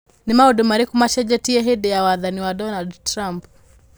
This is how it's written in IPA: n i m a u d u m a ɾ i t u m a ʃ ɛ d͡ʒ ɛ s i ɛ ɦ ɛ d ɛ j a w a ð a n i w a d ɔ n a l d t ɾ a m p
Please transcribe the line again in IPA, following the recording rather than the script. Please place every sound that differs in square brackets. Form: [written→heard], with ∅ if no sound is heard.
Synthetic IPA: n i m a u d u m a ɾ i [t→k] u m a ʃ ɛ d͡ʒ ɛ [s→t] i ɛ ɦ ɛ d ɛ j a w a ð a n i w a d ɔ n a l d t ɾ a m p

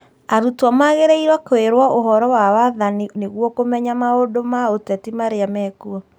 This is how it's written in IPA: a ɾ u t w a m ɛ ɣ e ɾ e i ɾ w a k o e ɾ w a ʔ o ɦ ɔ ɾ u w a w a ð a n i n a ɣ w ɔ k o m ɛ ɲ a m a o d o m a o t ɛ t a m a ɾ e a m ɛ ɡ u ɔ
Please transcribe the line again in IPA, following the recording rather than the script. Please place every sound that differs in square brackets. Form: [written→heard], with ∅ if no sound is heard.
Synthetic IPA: a ɾ u t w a m [ɛ→a] ɣ e ɾ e i ɾ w a k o e ɾ w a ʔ o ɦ ɔ ɾ [u→ɔ] w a w a ð a n i n [a→e] ɣ w ɔ k o m ɛ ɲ a m a o d o m a o t ɛ t [a→i] m a ɾ e a m ɛ [ɡ→k] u ɔ

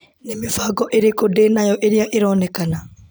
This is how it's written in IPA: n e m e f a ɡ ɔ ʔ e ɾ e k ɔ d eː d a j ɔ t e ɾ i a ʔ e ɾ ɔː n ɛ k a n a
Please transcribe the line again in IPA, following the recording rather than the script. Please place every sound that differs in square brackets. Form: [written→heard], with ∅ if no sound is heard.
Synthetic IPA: n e m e f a ɡ ɔ ʔ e ɾ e k [ɔ→o] d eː [d→n] a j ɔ [t→ʔ] e ɾ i a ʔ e ɾ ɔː n ɛ k a n a

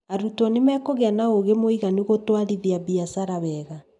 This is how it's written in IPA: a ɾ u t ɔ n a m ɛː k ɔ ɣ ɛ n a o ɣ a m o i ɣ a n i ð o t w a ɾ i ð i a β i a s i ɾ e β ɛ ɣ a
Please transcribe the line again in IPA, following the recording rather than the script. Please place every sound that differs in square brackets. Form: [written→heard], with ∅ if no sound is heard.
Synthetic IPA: a ɾ u t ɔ n [a→e] m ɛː k [ɔ→o] ɣ ɛ n a o ɣ [a→e] m o i ɣ a n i [ð→ɣ] o t w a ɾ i ð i a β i a s [i→a] ɾ [e→a] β ɛ ɣ a

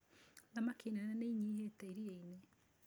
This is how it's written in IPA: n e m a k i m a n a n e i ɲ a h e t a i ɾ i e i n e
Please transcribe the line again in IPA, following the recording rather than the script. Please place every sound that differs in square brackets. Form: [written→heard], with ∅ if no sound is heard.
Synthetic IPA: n [e→a] m a k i [m→n] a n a n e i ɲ [a→i] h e t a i ɾ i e i n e

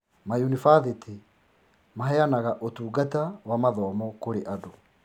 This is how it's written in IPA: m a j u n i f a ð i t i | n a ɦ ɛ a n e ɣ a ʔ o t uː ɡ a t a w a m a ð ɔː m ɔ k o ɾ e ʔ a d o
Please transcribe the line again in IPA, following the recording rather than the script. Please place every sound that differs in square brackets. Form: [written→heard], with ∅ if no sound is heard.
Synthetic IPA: m a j u n i f a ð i t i | [n→m] a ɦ ɛ a n [e→a] ɣ a ʔ o t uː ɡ a t a w a m a ð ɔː m ɔ k o ɾ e ʔ a d o

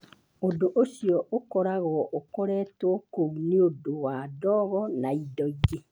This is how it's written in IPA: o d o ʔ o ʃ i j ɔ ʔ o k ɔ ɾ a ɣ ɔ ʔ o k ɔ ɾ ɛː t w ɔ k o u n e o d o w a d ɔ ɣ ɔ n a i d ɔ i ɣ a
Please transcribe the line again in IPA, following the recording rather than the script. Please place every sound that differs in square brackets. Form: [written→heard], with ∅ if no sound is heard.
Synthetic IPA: o d o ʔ o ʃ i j ɔ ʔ o k ɔ ɾ a ɣ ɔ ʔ o k ɔ ɾ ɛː t w ɔ k o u n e o d o w a d ɔ ɣ ɔ n a i d ɔ i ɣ [a→e]

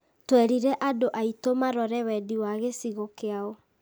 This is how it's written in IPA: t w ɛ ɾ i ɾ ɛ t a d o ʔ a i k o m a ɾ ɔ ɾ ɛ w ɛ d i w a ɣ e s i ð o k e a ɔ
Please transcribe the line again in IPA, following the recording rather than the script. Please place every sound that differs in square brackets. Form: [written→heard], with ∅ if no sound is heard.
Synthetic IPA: t w ɛ ɾ i ɾ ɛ [t→ʔ] a d o ʔ a i [k→t] o m a ɾ ɔ ɾ ɛ w ɛ d i w a ɣ e s i [ð→ɣ] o k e a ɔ

